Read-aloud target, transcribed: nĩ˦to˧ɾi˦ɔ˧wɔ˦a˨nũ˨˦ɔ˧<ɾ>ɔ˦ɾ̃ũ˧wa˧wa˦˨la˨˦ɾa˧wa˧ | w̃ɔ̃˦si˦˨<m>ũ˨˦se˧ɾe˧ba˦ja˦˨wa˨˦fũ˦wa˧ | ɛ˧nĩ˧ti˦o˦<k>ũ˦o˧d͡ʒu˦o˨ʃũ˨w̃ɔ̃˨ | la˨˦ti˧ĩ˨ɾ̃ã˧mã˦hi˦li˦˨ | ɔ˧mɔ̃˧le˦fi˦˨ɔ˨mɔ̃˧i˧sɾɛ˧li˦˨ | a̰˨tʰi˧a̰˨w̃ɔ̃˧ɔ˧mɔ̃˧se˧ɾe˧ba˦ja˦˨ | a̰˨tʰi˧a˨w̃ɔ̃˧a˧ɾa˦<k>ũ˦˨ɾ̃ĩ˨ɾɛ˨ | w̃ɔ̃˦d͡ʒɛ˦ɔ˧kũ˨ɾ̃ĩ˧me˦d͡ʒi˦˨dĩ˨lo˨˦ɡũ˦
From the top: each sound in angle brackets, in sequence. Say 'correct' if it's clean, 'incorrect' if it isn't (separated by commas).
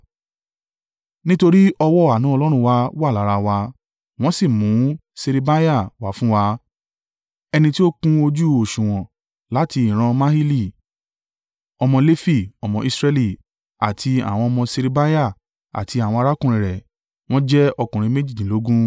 incorrect, correct, correct, correct